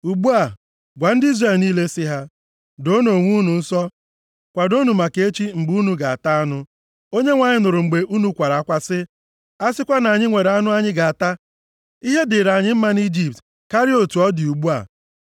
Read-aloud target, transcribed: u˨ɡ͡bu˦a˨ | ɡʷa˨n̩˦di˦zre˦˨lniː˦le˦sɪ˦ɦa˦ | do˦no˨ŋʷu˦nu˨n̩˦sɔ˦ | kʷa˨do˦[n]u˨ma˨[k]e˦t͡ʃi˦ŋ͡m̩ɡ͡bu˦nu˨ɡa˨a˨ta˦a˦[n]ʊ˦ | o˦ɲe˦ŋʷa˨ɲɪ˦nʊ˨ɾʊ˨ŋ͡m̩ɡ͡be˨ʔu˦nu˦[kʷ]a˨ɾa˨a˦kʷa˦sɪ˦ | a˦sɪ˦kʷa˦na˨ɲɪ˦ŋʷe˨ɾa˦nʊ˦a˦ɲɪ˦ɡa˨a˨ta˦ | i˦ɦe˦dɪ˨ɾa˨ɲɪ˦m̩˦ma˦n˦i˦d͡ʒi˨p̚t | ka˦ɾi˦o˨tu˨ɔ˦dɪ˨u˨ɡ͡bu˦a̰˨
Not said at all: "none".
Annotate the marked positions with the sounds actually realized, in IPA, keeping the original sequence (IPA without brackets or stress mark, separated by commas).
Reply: n, k, n, kʷ